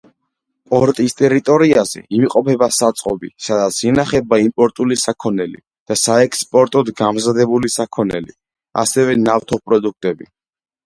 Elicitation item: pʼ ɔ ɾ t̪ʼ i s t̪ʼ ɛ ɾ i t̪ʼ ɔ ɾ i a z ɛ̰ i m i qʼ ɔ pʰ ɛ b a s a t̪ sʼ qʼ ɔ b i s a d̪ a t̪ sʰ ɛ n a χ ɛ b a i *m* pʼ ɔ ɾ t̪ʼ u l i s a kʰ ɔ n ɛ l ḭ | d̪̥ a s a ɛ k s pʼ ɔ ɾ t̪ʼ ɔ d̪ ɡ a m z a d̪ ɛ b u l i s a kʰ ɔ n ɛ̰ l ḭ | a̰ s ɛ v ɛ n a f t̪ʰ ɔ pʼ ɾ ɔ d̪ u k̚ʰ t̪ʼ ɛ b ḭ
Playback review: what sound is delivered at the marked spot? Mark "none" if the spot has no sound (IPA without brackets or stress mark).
m